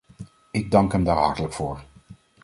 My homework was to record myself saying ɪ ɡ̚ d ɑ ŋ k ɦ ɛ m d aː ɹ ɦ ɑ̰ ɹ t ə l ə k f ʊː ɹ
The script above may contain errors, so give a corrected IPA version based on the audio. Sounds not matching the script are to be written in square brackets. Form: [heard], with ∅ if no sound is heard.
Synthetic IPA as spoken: ɪ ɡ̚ d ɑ ŋ k ɦ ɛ m d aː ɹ ɦ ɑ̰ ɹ t ə l ə k f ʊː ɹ